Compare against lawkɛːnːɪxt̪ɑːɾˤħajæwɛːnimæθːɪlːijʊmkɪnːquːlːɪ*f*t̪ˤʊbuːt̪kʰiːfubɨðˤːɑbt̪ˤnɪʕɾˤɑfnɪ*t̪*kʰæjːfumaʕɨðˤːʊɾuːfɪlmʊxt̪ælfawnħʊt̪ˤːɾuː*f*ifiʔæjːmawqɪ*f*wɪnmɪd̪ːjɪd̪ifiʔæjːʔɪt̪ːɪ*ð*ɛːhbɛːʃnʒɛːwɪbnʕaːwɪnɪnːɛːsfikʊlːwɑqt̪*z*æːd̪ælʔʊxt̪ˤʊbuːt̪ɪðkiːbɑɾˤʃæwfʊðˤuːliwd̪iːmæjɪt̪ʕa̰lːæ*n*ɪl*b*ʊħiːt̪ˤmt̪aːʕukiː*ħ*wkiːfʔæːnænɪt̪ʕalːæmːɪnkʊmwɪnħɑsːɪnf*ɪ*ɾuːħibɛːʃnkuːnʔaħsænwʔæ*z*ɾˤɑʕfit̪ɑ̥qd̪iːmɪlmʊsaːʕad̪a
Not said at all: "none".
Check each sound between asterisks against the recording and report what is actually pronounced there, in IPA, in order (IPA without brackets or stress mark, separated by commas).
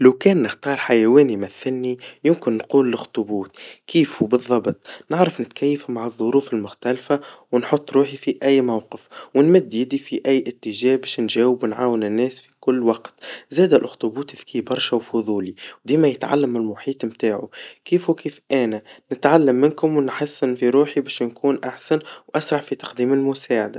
x, t̪, ħ, f, ʒ, z, m, m, f, i, s